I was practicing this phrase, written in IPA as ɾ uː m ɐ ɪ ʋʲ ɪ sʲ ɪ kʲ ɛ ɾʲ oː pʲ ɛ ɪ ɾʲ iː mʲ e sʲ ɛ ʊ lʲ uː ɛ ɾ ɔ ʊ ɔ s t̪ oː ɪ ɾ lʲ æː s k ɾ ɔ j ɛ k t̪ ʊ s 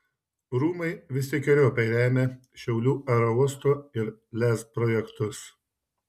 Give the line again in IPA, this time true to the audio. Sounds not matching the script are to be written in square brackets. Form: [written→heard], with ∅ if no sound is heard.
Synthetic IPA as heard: ɾ uː m ɐ ɪ ʋʲ ɪ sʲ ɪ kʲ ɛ ɾʲ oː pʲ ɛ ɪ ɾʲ [iː→æː] mʲ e [sʲ→ʃʲ] ɛ ʊ lʲ uː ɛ ɾ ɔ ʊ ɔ s t̪ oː ɪ ɾ lʲ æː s [k→p] ɾ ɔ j ɛ k t̪ ʊ s